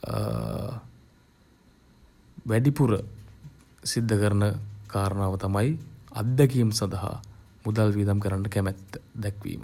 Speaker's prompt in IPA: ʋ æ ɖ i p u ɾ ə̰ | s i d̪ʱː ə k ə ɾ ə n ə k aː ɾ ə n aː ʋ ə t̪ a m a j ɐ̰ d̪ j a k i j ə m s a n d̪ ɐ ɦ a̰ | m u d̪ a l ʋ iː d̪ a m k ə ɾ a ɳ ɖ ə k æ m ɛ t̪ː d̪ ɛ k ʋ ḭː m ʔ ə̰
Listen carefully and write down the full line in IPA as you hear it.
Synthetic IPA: ʋ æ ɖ i p u ɾ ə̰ | s i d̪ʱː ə k ə ɾ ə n ə k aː ɾ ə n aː ʋ ə t̪ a m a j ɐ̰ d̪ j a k i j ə m s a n d̪ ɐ ɦ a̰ | m u d̪ a l ʋ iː d̪ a m k ə ɾ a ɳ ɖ ə k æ m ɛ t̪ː d̪ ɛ k ʋ ḭː m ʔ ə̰